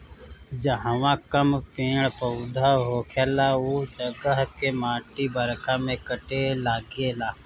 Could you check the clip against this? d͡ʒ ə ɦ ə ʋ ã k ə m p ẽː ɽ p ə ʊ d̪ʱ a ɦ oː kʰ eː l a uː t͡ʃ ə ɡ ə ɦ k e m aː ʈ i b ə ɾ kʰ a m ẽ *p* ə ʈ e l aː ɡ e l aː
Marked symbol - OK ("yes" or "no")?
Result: no